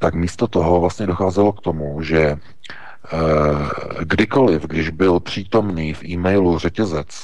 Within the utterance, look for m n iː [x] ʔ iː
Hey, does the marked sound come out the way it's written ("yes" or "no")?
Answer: no